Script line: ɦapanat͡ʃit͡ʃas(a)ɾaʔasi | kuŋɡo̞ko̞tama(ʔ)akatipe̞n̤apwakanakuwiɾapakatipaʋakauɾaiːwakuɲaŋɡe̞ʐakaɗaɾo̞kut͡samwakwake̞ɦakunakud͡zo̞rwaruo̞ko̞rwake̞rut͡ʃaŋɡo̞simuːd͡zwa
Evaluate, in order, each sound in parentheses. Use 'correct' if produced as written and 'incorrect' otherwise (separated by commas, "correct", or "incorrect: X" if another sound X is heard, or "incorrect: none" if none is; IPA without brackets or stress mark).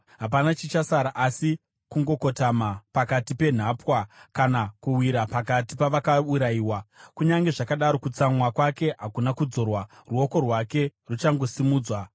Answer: correct, incorrect: p